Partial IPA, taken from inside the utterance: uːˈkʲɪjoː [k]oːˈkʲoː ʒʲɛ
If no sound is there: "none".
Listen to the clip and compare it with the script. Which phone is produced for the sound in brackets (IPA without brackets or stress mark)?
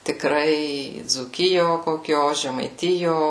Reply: k